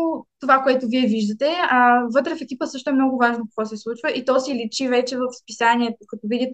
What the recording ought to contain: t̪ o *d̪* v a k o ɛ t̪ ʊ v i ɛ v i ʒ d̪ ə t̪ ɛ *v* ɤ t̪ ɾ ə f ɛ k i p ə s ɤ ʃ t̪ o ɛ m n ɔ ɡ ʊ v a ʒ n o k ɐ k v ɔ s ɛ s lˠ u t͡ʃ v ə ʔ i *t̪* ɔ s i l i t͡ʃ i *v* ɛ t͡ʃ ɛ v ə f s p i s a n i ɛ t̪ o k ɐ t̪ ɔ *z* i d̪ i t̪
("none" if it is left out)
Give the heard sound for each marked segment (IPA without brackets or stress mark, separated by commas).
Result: none, v, t̪, v, v